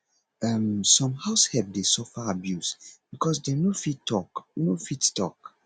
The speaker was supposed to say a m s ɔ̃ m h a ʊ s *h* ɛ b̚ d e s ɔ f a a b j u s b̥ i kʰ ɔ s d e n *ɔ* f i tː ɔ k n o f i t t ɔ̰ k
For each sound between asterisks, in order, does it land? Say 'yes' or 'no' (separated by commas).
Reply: yes, no